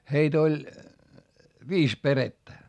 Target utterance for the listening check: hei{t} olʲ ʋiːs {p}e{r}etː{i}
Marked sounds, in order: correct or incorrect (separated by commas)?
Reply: correct, correct, correct, incorrect